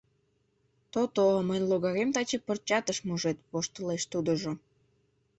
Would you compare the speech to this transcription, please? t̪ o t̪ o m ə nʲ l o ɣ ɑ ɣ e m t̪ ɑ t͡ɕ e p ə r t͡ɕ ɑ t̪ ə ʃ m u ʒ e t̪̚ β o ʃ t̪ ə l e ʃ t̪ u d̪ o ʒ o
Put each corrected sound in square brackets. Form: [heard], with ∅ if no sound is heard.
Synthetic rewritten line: t̪ o t̪ o m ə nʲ l o ɣ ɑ ɣ e m t̪ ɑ t͡ɕ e p ə r t͡ɕ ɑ t̪ ə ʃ m u ʒ e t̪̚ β o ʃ t̪ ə l e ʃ t̪ u d̪ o ʒ o